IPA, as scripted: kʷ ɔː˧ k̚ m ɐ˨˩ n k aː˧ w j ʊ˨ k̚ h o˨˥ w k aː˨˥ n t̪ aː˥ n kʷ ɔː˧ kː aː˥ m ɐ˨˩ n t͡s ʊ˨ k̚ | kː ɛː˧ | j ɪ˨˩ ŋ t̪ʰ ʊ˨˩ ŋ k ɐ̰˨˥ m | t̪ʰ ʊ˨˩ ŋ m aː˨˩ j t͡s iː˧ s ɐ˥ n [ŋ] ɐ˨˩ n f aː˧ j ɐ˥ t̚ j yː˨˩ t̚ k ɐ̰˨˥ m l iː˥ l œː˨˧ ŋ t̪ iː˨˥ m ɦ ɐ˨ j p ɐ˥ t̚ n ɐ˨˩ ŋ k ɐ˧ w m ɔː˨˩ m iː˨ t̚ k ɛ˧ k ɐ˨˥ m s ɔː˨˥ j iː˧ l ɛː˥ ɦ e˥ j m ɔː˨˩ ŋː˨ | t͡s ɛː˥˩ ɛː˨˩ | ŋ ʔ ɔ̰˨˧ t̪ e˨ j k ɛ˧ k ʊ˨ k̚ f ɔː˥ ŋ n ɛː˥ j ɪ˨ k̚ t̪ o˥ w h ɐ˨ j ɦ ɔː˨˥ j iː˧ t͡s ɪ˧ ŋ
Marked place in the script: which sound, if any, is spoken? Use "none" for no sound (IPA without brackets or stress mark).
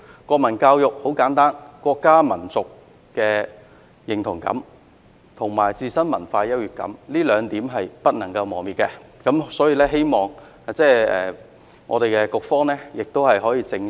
m